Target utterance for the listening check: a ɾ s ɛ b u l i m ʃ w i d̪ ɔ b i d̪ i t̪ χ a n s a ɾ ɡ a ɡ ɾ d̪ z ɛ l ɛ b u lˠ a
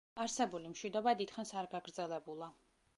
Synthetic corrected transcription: a ɾ s ɛ b u l i m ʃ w i d̪ ɔ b a d̪ i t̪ χ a n s a ɾ ɡ a ɡ ɾ d̪ z ɛ l ɛ b u lˠ a